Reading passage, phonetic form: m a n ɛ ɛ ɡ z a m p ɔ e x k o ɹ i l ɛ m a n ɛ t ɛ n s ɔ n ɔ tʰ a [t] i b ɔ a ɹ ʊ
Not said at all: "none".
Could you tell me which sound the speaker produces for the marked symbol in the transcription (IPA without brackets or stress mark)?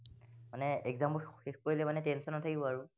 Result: k